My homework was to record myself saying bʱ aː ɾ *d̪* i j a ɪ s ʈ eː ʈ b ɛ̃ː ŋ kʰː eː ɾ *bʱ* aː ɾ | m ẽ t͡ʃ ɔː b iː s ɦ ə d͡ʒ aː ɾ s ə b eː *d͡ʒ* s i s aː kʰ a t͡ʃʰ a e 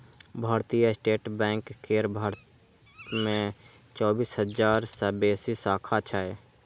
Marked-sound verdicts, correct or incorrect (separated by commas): incorrect, correct, incorrect